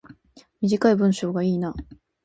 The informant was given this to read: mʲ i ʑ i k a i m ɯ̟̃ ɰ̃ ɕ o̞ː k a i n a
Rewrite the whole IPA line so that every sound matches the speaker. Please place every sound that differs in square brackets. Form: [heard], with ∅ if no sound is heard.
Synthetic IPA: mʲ i ʑ i k a i [b] ɯ̟̃ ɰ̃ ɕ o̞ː [ɡ] a [iː] n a